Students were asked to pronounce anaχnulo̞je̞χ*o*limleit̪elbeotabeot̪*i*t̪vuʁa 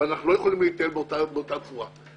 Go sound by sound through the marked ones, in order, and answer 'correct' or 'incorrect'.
correct, incorrect

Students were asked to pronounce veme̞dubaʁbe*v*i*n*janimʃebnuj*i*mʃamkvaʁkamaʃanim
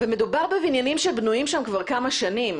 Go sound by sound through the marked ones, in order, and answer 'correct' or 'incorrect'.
correct, correct, correct

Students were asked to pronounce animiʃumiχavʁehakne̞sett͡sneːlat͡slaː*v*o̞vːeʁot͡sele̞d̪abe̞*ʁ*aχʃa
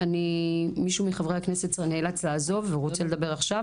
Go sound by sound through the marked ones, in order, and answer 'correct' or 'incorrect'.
incorrect, correct

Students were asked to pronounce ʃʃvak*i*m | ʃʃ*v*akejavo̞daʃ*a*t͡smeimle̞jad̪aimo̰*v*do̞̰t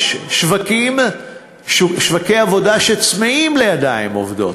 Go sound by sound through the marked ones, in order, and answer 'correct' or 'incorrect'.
correct, correct, incorrect, correct

